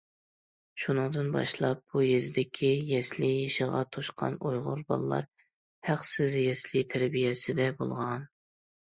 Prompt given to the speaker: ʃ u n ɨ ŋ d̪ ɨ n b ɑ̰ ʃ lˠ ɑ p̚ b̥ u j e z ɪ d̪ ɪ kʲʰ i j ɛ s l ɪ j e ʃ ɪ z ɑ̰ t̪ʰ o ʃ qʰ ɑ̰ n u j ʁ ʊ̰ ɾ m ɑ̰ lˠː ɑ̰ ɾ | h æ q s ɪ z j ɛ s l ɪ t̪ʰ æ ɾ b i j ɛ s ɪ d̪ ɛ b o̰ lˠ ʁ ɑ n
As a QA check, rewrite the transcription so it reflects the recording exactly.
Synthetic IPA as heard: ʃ u n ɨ ŋ d̪ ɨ n b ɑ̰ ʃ lˠ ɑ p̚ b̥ u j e z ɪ d̪ ɪ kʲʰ i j ɛ s l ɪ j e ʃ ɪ ʁ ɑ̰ t̪ʰ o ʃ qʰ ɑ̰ n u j ʁ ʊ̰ ɾ b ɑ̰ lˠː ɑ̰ ɾ | h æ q s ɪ z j ɛ s l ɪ t̪ʰ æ ɾ b i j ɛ s ɪ d̪ ɛ b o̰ lˠ ʁ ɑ n

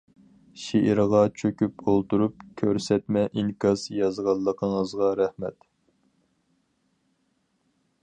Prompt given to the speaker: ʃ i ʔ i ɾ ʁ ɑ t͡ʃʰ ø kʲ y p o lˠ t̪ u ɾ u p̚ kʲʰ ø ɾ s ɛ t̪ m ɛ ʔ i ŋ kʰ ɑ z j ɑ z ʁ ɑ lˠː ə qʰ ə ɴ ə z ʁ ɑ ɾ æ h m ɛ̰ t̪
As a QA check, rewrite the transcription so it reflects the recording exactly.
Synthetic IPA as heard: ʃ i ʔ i ɾ ʁ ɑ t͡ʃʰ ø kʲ y p o lˠ t̪ u ɾ u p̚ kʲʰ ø ɾ s ɛ t̪ m ɛ ʔ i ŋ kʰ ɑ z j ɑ z ʁ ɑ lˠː ə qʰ ə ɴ ə z ʁ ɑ ɾ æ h m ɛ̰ t̪

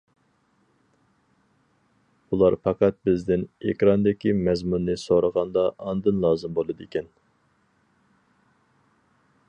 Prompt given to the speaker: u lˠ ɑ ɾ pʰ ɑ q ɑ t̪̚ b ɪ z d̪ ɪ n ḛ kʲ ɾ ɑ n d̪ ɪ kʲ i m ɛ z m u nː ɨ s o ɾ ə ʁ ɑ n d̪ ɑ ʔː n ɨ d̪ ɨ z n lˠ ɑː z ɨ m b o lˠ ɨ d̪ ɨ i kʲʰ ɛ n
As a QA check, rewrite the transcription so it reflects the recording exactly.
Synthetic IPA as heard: u lˠ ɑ ɾ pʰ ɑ q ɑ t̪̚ b ɪ z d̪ ɪ n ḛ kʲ ɾ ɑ n d̪ ɪ kʲ i m ɛ z m u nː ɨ s o ɾ ə ʁ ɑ n d̪ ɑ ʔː n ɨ d̪ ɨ n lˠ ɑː z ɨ m b o lˠ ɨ d̪ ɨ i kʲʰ ɛ n

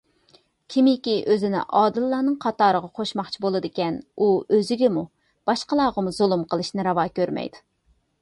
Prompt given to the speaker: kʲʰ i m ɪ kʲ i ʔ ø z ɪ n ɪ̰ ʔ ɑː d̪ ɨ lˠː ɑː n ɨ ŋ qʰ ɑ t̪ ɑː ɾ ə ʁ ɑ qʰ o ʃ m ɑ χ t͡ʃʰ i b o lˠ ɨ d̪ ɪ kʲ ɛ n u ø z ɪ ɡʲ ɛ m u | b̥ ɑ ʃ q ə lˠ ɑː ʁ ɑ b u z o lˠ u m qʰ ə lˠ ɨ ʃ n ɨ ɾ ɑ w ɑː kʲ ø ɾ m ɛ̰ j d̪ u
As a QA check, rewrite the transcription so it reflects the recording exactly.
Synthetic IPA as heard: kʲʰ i m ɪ kʲ i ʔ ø z ɪ n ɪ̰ ʔ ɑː d̪ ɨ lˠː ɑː n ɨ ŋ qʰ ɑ t̪ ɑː ɾ ə ʁ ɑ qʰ o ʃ m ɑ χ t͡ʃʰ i b o lˠ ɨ d̪ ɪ kʲ ɛ n u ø z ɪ ɡʲ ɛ m u | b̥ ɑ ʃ q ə lˠ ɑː ʁ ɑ m u z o lˠ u m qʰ ə lˠ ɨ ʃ n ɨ ɾ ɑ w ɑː kʲ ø ɾ m ɛ̰ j d̪ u

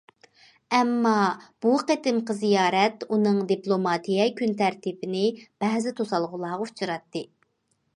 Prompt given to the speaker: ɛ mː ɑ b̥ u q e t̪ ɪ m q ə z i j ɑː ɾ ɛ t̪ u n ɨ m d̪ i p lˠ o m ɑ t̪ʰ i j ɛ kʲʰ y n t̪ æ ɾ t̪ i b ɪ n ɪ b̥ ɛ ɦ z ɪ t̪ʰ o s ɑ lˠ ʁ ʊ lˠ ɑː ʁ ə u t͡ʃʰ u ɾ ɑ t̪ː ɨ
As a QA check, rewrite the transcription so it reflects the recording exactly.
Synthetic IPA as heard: ɛ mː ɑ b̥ u q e t̪ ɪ m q ə z i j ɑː ɾ ɛ t̪ u n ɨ ŋ d̪ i p lˠ o m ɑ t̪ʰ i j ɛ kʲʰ y n t̪ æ ɾ t̪ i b ɪ n ɪ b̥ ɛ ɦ z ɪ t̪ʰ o s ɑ lˠ ʁ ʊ lˠ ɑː ʁ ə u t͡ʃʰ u ɾ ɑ t̪ː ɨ

